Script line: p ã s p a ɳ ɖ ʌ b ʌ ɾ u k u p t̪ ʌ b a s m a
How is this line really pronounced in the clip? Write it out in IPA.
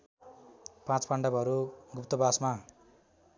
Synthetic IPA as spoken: p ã t͡s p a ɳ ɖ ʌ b ʌ ɾ u ɡ u p t̪ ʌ b a s m a